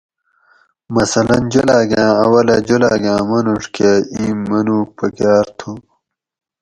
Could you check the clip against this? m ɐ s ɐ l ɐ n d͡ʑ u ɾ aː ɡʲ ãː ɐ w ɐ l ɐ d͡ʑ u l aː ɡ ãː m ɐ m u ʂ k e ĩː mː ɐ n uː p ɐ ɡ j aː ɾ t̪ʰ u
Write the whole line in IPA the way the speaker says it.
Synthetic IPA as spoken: m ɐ s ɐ l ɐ n d͡ʑ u l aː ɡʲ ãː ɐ w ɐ l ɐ d͡ʑ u l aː ɡ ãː m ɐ n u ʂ k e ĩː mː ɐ n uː p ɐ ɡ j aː ɾ t̪ʰ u